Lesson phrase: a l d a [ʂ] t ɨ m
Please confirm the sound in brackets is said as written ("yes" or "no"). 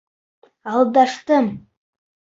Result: yes